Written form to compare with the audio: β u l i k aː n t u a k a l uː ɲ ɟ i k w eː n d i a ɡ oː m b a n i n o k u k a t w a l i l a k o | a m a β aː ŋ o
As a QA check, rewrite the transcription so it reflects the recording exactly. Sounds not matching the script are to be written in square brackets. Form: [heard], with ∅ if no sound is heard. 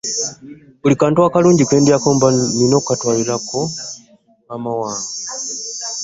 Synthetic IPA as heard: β u l i k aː n t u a k a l uː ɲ ɟ i k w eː n d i a [k] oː m b a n i n o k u k a t w a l i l a k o | a m a [w] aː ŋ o